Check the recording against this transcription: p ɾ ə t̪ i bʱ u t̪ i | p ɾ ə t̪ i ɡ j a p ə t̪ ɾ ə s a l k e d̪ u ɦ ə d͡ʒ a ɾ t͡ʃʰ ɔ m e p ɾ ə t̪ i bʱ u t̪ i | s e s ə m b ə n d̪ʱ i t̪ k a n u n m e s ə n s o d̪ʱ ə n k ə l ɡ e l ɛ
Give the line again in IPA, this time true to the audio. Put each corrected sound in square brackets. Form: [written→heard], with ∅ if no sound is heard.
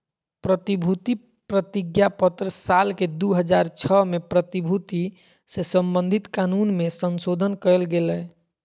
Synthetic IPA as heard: p ɾ ə t̪ i bʱ u t̪ i | p ɾ ə t̪ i ɡ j a p ə t̪ ɾ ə s a l k e d̪ u ɦ ə d͡ʒ a ɾ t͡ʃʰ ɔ m e p ɾ ə t̪ i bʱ u t̪ i | s e s ə m b ə n d̪ʱ i t̪ k a n u n m e s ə n s o d̪ʱ ə n k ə l ɡ e l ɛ